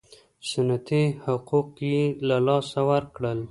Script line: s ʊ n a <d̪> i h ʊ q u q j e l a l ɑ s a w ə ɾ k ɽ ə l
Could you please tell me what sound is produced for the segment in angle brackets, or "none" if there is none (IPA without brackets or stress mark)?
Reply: t̪